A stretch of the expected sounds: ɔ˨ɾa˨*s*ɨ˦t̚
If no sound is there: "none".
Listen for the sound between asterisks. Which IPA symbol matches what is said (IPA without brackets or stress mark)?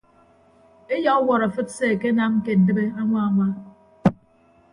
f